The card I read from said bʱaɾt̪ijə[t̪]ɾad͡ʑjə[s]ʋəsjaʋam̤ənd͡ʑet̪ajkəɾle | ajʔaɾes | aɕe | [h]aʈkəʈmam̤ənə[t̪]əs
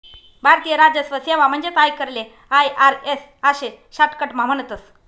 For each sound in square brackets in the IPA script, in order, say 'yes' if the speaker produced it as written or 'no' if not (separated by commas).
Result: no, yes, no, yes